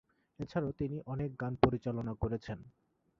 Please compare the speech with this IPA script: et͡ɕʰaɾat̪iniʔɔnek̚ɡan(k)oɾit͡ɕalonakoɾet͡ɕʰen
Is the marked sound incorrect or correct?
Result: incorrect